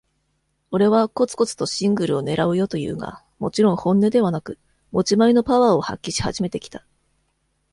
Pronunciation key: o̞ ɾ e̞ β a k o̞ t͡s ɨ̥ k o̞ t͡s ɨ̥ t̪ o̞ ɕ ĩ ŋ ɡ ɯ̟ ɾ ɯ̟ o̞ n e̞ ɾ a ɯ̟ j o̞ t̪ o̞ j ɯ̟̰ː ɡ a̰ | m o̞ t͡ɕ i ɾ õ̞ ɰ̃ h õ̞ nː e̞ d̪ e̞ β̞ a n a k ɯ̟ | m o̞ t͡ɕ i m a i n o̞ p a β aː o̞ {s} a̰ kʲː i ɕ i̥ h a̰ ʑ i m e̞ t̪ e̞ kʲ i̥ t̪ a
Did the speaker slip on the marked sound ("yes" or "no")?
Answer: yes